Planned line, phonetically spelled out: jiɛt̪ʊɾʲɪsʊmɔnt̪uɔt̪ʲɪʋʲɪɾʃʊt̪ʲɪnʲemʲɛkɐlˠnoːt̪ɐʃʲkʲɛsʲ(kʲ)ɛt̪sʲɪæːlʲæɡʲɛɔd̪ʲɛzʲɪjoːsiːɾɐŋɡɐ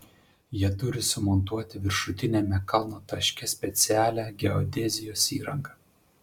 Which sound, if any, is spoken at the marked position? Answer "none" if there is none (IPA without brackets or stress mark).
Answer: pʲ